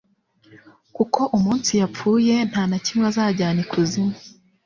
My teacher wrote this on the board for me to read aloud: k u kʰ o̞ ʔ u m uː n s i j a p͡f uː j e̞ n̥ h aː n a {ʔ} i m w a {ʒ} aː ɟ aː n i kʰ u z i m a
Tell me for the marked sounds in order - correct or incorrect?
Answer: incorrect, incorrect

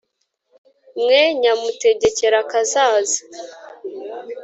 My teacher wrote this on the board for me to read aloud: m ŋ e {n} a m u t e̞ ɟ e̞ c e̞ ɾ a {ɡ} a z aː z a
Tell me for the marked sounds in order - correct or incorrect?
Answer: incorrect, incorrect

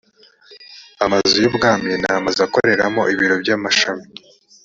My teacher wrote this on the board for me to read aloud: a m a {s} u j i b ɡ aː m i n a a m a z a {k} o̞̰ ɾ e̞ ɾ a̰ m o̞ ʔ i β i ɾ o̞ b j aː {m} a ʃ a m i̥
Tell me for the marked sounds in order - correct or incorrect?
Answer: incorrect, correct, correct

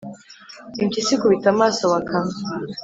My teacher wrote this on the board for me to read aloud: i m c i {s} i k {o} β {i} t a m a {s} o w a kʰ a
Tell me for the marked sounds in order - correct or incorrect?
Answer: correct, incorrect, correct, correct

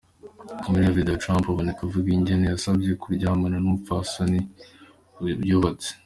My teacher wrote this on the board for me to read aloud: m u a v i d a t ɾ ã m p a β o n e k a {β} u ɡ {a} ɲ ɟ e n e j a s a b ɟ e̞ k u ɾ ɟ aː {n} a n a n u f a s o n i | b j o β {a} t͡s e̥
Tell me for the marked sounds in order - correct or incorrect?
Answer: incorrect, incorrect, incorrect, correct

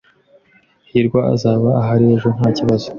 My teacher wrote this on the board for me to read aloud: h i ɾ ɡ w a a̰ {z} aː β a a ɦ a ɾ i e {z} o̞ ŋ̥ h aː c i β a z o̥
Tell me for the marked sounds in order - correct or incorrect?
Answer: correct, incorrect

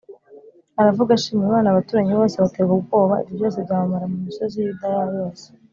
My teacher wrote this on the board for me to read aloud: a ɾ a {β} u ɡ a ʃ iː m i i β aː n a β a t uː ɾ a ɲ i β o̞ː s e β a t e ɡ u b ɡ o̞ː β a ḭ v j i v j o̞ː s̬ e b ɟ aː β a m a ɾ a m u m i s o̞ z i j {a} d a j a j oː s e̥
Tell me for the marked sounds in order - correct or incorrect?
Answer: incorrect, incorrect

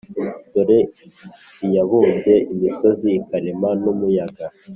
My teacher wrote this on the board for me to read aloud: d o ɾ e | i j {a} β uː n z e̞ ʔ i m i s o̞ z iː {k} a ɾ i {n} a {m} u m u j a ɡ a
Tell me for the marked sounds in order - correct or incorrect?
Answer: correct, correct, incorrect, incorrect

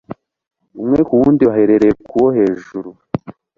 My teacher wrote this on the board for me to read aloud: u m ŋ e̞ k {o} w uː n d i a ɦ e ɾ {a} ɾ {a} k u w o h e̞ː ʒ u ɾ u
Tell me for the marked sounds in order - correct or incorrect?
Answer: incorrect, incorrect, incorrect

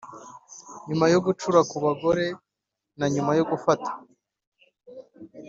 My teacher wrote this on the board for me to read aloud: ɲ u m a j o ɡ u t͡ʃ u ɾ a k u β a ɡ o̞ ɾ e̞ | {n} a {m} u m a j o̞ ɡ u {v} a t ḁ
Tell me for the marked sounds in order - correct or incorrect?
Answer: correct, incorrect, incorrect

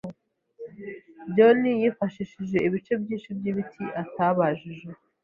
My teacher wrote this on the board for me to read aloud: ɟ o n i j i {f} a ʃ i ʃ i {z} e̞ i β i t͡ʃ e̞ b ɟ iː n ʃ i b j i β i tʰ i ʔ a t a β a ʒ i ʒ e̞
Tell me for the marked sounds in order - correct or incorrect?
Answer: correct, incorrect

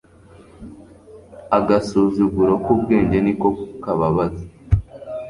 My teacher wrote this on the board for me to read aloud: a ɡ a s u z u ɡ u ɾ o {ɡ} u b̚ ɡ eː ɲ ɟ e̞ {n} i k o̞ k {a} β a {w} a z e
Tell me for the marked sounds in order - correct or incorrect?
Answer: incorrect, correct, correct, incorrect

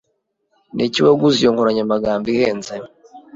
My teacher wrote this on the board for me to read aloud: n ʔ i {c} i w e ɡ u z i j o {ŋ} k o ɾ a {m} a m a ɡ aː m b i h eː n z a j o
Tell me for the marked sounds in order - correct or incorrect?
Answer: correct, correct, incorrect

